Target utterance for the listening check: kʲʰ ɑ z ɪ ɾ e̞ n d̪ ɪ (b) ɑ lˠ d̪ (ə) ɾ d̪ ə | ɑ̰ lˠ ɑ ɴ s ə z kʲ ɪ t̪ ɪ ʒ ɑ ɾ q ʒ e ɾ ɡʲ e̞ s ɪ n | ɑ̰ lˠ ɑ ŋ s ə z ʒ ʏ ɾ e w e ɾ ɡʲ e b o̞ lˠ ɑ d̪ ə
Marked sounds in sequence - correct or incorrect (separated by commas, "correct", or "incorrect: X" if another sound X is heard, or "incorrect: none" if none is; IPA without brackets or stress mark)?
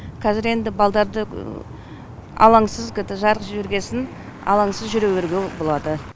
correct, incorrect: ɑ